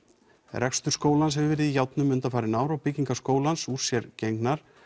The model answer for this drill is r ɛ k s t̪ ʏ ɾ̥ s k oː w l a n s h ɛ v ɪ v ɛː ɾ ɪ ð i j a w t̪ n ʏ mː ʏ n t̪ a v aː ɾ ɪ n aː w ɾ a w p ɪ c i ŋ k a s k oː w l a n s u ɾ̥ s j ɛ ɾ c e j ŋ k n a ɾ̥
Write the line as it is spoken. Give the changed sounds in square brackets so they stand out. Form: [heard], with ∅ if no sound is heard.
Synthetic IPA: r ɛ k s t̪ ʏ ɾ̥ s k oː w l a n s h ɛ v ɪ v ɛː ɾ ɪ ð i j a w t̪ n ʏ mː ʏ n t̪ a [f] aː ɾ ɪ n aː w ɾ a w p ɪ c i ŋ k a s k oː w l a n s u ɾ̥ s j ɛ ɾ c e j ŋ k n a ɾ̥

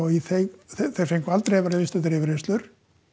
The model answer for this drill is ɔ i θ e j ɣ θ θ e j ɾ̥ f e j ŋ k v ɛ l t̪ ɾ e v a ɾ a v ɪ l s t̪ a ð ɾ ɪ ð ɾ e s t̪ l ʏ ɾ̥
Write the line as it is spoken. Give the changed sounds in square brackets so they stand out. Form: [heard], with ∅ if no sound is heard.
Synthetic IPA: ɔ i θ e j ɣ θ θ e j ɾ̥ f e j ŋ k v [a] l t̪ ɾ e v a ɾ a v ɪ [∅] s t̪ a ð ɾ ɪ [v] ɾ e s t̪ l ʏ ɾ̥

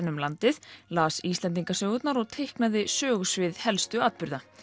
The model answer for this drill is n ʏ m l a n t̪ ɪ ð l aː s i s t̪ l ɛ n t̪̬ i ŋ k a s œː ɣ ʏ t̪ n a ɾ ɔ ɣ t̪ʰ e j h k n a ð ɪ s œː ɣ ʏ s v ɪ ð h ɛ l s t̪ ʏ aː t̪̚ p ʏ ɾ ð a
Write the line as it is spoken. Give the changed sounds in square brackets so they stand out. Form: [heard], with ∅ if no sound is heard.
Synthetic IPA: n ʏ m l a n t̪ ɪ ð l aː s i s t̪ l ɛ n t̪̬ i ŋ k a s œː ɣ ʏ t̪ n a ɾ ɔ ɣ t̪ʰ e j h k n a ð ɪ s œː ɣ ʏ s v ɪ ð h ɛ l s t̪ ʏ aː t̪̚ p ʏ ɾ ð a

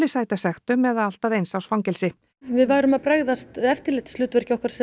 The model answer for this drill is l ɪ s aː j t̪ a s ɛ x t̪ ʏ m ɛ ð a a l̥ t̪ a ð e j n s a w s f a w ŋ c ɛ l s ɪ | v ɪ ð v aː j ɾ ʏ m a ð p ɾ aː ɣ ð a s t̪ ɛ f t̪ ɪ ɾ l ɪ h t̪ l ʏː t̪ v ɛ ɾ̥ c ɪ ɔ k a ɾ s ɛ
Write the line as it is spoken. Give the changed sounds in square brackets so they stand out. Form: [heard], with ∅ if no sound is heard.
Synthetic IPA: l ɪ s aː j t̪ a s ɛ x t̪ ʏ m ɛ ð a a l̥ t̪ a ð e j n s a w s f a w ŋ c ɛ l s ɪ | v ɪ ð v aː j ɾ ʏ m a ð p ɾ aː ɣ ð a s t̪ ɛ f t̪ ɪ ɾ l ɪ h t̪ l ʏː t̪ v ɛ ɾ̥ c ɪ ɔ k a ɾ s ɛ

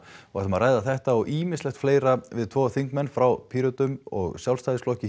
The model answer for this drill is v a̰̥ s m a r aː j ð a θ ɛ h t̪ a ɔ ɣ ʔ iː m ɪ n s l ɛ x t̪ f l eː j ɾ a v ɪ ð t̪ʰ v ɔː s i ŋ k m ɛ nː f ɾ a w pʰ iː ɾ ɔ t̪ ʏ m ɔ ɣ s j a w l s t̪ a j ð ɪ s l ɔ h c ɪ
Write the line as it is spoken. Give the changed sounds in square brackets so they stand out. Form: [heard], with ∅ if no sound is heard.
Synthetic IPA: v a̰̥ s m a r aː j ð a θ ɛ h t̪ a ɔ ɣ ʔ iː m ɪ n s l ɛ x t̪ f l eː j ɾ a v ɪ ð t̪ʰ v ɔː [θ] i ŋ k m ɛ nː f ɾ a w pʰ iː ɾ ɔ t̪ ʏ m ɔ ɣ s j a w l s t̪ a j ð ɪ s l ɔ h c ɪ

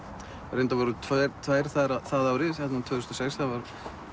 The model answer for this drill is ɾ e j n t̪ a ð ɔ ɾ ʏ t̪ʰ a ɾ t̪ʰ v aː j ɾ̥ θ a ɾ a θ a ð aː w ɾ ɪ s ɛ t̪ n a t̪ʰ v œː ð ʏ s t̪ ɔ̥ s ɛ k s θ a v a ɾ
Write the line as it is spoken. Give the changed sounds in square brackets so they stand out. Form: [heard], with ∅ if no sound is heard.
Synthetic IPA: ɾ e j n t̪ a [v] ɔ ɾ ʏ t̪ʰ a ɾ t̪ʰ v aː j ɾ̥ θ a ɾ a θ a ð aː w ɾ ɪ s ɛ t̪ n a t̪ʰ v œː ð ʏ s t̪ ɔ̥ s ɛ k s θ a v a ɾ

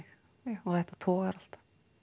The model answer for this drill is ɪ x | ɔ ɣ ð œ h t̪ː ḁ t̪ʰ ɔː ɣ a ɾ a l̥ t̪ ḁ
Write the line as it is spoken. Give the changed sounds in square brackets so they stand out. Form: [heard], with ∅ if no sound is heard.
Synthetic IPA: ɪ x | ɔ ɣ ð [ɛ] h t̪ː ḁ t̪ʰ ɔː ɣ a ɾ a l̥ t̪ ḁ

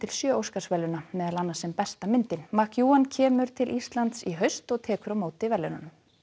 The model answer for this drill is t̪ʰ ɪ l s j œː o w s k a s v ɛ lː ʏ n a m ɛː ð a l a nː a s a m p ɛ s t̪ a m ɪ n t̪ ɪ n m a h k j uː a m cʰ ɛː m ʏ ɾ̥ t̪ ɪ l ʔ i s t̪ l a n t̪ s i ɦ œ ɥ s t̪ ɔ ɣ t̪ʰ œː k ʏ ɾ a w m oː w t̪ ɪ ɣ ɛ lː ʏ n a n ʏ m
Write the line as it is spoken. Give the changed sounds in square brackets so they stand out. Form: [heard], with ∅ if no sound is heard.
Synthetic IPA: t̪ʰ ɪ l s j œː o w s k a s v ɛ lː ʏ n a m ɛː ð a l a nː a s [ɛ] m p ɛ s t̪ a m ɪ n t̪ ɪ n m a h k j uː a [n] cʰ ɛː m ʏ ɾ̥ [t̪ʰ] ɪ l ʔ i s t̪ l a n t̪ s i ɦ œ ɥ s t̪ ɔ ɣ t̪ʰ [ɛː] k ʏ ɾ a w m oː w t̪ ɪ [v] ɛ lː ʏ n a n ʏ m

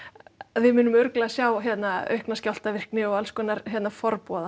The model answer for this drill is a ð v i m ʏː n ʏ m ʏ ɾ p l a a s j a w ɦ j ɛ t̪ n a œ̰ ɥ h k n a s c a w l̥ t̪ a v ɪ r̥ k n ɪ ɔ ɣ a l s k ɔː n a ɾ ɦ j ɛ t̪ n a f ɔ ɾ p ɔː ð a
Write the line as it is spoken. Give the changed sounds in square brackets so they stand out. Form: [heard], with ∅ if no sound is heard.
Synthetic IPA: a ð v [ɪ] m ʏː n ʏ m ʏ ɾ [k] l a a s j a w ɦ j ɛ t̪ n a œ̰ ɥ h k n a s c a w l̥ t̪ a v ɪ r̥ k n ɪ ɔ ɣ a l s k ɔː n a ɾ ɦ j ɛ t̪ n a f ɔ ɾ p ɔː ð a

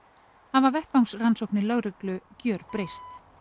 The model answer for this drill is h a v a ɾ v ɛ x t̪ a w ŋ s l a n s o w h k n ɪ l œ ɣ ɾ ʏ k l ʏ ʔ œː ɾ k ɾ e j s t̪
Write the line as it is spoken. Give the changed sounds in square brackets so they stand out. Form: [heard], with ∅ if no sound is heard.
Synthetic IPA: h a v a ɾ v ɛ [h] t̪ a w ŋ s [r] a n s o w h k n ɪ l œ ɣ ɾ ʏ k l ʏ [c] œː ɾ [p] ɾ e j s t̪

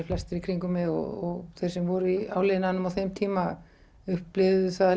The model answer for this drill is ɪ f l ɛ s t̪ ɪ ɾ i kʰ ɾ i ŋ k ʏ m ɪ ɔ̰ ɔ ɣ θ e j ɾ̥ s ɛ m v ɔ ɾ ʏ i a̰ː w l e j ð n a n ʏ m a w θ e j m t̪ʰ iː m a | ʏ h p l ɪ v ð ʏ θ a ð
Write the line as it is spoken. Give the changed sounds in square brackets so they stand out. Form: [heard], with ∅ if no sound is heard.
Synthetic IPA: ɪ f l ɛ s t̪ ɪ ɾ i kʰ ɾ i ŋ k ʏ m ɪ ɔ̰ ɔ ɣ θ e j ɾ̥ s ɛ m v ɔ ɾ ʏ i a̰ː w l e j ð n a n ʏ m a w θ e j m t̪ʰ iː m a | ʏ h p l ɪ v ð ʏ θ a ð

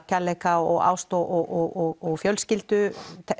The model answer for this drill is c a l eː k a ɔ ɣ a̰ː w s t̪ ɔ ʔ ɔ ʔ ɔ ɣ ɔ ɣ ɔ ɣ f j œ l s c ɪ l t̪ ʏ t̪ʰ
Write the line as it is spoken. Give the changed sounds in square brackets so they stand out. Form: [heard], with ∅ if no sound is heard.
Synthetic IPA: c a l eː k a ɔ ɣ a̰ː w s t̪ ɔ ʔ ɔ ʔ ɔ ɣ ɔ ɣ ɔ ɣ f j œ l s c ɪ l t̪ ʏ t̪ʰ

